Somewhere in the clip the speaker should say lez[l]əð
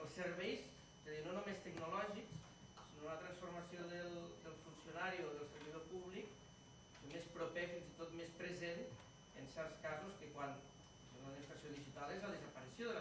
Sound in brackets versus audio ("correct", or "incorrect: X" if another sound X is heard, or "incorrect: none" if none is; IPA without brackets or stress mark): correct